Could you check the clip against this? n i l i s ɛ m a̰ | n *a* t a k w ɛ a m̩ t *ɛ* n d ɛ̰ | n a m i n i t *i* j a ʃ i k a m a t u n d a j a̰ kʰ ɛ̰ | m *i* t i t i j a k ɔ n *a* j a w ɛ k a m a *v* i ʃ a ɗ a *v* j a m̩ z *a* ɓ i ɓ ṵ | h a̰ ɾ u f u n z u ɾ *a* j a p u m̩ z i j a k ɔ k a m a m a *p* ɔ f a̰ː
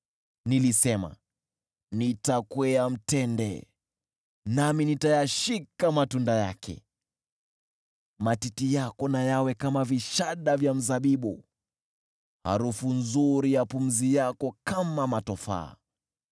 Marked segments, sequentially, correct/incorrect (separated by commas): incorrect, correct, incorrect, incorrect, correct, correct, correct, correct, incorrect, incorrect